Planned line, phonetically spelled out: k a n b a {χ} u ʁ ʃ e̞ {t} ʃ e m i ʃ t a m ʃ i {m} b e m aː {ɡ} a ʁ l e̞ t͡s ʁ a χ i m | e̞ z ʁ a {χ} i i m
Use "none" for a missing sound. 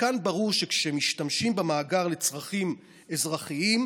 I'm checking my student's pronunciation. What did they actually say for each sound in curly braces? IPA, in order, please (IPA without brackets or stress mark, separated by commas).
ʁ, k, m, ɡ, χ